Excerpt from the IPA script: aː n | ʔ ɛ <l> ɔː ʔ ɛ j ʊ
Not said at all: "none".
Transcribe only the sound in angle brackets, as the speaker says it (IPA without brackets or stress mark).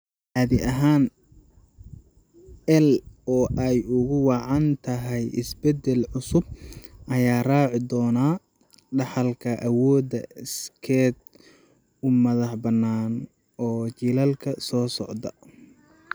l